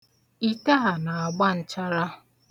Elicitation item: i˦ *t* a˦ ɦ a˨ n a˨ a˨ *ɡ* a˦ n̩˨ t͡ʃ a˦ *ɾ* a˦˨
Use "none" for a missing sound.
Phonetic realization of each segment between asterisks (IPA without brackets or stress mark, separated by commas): t, ɡ͡b, ɾ